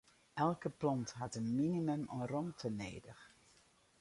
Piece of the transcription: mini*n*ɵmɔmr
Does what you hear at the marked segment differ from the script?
yes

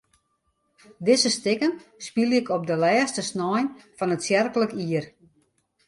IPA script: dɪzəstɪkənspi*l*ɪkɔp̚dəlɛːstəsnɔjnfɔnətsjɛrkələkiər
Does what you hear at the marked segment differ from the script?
no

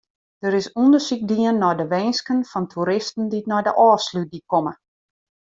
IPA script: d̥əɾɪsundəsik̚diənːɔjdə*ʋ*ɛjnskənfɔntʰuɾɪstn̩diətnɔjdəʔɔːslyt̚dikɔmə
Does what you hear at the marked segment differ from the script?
no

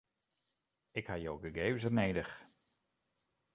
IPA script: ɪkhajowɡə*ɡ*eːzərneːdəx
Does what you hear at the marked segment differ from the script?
no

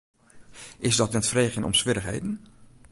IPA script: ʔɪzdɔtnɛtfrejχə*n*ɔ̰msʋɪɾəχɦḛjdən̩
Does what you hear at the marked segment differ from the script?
no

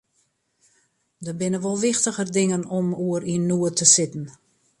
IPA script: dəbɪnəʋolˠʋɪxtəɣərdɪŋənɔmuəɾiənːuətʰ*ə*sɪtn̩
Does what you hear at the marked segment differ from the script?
no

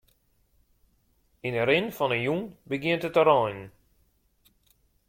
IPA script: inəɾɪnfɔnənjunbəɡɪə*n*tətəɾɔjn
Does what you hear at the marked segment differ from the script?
no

